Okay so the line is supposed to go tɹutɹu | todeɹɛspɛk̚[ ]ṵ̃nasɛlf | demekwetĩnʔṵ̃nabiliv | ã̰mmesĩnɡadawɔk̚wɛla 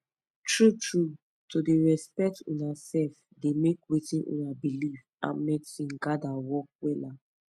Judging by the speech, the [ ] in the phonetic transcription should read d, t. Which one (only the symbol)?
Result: t